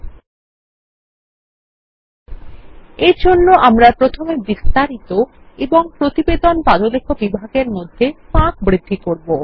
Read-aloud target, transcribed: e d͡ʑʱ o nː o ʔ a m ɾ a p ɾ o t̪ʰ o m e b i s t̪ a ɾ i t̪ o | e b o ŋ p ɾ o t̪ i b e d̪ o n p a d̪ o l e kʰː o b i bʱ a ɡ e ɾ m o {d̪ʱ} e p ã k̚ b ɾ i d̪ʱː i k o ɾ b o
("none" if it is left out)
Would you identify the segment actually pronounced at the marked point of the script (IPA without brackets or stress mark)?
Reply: d̪ʱː